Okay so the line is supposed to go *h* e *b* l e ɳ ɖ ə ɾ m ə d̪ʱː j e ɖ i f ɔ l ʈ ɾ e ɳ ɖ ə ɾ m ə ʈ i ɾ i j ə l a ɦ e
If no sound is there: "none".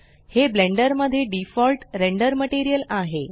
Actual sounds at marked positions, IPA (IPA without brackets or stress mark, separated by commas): h, b